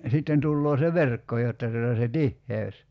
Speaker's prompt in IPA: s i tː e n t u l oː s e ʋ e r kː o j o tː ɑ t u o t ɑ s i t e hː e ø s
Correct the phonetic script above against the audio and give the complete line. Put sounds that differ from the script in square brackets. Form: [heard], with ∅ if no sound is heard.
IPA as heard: s i tː e n t u [lː] oː s e ʋ e r kː o j o tː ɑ t u o t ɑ s [e] t [i] hː e ø s